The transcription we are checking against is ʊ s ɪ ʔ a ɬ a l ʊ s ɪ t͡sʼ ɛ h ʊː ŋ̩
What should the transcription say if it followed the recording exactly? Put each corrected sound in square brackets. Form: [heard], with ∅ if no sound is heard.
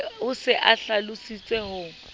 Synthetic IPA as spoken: ʊ s ɪ ʔ a ɬ a l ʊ s [i] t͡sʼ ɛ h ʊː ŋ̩